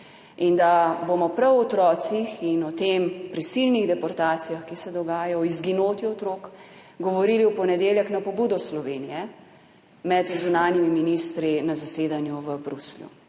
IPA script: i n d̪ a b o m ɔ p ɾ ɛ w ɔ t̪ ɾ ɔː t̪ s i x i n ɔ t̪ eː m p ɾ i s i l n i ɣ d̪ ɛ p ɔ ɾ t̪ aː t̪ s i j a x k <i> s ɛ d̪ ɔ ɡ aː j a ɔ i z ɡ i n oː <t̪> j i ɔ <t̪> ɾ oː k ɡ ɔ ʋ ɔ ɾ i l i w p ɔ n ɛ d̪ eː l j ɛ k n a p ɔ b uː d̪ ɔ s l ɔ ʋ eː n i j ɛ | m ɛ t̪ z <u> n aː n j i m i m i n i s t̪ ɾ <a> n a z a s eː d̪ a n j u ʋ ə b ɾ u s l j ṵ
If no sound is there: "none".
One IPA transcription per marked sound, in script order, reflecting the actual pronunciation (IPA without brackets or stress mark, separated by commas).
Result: i, t̪, t̪, u, i